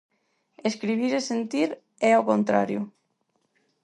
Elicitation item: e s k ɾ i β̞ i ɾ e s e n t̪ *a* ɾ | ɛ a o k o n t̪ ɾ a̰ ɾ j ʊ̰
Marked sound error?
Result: yes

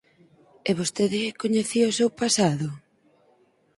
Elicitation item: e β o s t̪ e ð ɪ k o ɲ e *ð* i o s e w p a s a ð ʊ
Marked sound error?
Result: yes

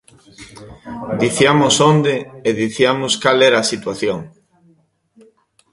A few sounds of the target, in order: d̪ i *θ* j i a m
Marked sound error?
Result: no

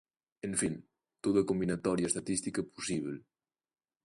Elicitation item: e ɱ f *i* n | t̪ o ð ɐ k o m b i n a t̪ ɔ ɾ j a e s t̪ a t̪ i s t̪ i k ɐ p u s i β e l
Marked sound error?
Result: no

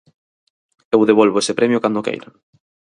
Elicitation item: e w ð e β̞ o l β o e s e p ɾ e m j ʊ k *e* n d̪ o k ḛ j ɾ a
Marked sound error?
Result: yes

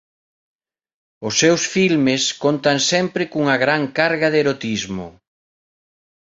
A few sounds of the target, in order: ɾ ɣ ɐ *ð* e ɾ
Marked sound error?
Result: no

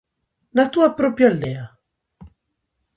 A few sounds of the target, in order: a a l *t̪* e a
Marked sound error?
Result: yes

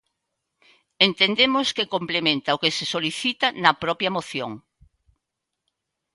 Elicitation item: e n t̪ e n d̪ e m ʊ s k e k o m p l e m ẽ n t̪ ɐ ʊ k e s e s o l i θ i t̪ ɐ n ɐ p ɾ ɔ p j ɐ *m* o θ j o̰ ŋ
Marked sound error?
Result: no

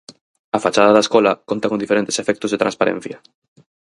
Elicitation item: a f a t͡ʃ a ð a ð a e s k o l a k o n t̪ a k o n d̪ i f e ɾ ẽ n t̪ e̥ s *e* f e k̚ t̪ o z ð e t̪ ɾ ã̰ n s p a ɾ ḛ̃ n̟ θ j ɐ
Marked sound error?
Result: no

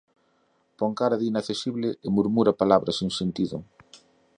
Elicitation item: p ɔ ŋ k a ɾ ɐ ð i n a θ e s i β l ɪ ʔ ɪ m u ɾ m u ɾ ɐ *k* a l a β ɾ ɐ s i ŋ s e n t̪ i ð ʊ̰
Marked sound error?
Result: yes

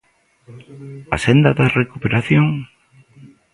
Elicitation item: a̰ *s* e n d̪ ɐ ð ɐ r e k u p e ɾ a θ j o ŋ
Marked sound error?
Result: no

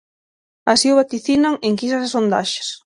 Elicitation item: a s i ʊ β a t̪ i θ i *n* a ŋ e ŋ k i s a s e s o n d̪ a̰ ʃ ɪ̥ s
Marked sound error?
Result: no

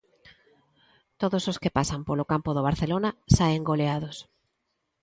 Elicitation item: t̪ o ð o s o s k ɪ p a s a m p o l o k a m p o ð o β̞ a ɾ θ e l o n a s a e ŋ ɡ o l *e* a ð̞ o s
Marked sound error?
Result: no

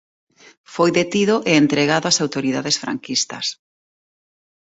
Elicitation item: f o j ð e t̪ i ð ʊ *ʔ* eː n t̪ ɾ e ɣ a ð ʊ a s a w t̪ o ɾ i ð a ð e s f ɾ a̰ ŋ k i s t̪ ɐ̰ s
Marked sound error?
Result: no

